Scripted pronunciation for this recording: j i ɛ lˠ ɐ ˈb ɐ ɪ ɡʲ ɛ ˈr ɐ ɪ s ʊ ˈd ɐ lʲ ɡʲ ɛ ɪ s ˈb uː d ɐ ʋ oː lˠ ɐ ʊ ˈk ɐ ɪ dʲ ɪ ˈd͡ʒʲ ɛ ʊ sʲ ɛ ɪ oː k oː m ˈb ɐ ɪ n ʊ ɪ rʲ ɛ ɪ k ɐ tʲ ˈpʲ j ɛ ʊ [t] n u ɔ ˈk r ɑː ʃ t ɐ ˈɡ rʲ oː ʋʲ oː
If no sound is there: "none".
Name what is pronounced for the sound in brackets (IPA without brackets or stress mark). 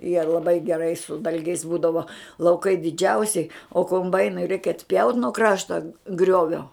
t